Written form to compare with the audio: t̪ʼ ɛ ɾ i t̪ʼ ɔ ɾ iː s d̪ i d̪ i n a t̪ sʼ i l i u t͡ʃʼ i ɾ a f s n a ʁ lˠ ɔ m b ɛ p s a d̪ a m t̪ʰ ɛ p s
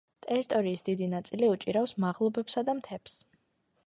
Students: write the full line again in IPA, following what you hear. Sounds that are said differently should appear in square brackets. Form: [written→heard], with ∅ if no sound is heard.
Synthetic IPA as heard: t̪ʼ ɛ ɾ i t̪ʼ ɔ ɾ iː s d̪ i d̪ i n a t̪ sʼ i l i u t͡ʃʼ i ɾ a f s [n→m] a ʁ lˠ ɔ [m→∅] b ɛ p s a d̪ a m t̪ʰ ɛ p s